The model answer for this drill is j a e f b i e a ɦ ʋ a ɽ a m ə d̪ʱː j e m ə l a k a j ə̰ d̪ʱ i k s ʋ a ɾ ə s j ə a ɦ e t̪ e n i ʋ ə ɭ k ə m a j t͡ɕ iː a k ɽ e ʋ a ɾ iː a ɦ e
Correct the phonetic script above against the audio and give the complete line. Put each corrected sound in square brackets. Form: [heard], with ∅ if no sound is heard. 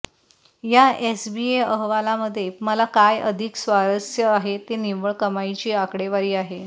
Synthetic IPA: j a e [s] b i e [ə] ɦ ʋ a [l] a m ə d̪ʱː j e m ə l a k a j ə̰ d̪ʱ i k s ʋ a ɾ ə s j ə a ɦ e t̪ e n i ʋ ə ɭ k ə m a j t͡ɕ iː a k ɽ e ʋ a ɾ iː a ɦ e

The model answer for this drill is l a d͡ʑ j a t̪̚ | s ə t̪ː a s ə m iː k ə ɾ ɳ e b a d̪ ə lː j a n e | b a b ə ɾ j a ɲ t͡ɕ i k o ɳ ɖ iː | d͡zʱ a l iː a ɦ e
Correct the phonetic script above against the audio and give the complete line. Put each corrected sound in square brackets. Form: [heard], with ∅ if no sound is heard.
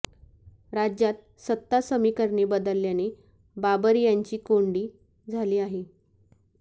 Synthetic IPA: [ɾ] a d͡ʑ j a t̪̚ | s ə t̪ː a s ə m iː k ə ɾ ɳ e b [ə] d̪ ə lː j a n e | b a b ə ɾ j a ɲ t͡ɕ [iː] k o ɳ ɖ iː | d͡zʱ a l iː a ɦ e

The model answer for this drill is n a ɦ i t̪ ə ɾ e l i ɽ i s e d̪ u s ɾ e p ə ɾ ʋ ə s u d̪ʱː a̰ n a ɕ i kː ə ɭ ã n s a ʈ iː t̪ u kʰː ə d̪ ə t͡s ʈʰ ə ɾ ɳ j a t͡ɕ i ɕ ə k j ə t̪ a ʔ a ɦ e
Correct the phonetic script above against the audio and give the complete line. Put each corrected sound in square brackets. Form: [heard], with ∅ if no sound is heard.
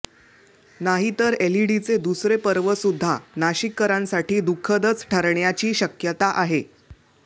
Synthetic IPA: n a ɦ i t̪ ə ɾ e l i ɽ i [t͡s] e d̪ u s ɾ e p ə ɾ ʋ ə s u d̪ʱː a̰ n a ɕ i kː ə [ɾ] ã n s a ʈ iː [d̪] u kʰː ə d̪ ə t͡s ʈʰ ə ɾ ɳ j a t͡ɕ [iː] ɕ ə k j ə t̪ a ʔ a ɦ e

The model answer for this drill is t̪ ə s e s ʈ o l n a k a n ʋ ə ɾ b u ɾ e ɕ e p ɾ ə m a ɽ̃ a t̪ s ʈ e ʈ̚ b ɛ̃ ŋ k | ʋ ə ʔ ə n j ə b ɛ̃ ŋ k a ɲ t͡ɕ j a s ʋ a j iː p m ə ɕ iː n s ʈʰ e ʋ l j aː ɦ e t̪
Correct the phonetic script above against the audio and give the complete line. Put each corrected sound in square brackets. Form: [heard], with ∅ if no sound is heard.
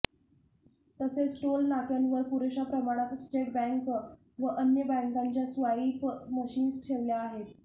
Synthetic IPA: t̪ ə s e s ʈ o l n a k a n ʋ ə ɾ [p] u ɾ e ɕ [a] p ɾ ə m a ɽ̃ a t̪ s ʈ e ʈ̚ b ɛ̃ ŋ k | ʋ ə ʔ ə n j ə b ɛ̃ ŋ k a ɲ t͡ɕ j a s ʋ a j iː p m ə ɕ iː n s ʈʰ e ʋ l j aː ɦ e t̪

